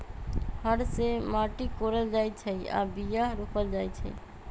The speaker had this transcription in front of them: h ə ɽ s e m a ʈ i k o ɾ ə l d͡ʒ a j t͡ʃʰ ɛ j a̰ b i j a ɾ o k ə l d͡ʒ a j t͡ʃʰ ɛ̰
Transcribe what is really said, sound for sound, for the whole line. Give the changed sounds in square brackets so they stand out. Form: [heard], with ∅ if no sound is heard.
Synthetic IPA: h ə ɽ s e m a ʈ i k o ɾ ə l d͡ʒ a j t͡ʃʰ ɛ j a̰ b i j a ɾ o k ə l d͡ʒ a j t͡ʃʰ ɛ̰